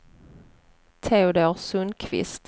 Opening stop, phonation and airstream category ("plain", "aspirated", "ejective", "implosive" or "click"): aspirated